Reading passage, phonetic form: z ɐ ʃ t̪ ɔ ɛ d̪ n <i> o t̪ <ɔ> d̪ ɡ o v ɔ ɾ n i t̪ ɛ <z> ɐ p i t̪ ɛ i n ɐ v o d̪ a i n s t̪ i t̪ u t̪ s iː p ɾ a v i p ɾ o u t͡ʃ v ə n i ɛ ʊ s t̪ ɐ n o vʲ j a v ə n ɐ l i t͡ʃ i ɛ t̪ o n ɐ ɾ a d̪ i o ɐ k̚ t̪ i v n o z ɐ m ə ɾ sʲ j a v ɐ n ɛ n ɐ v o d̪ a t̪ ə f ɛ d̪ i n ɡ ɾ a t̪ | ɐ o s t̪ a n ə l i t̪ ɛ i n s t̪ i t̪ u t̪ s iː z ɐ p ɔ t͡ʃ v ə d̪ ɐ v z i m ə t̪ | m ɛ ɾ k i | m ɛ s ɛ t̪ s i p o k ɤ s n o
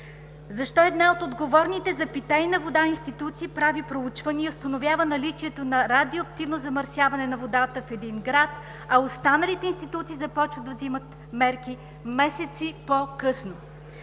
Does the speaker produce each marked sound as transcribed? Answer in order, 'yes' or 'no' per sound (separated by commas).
no, no, yes